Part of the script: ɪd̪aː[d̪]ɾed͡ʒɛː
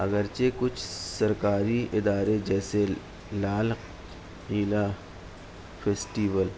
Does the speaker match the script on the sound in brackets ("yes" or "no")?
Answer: no